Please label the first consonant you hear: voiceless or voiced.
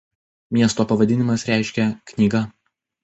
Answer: voiced